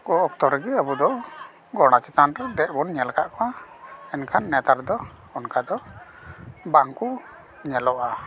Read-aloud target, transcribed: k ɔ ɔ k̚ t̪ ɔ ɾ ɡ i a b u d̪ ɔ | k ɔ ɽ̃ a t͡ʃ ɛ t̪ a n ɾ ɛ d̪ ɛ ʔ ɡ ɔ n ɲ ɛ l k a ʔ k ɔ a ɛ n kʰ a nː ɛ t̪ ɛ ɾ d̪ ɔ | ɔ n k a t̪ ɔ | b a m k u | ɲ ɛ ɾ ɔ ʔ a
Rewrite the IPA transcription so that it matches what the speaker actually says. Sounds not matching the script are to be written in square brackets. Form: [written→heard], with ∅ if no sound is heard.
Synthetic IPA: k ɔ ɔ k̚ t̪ ɔ ɾ ɡ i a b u d̪ ɔ | [k→ɡ] ɔ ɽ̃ a t͡ʃ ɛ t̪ a n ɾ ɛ d̪ ɛ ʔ [ɡ→b] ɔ n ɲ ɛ l k a ʔ k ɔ a ɛ n kʰ a nː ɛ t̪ [ɛ→a] ɾ d̪ ɔ | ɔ n k a [t̪→d̪] ɔ | b a [m→ŋ] k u | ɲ ɛ [ɾ→l] ɔ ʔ a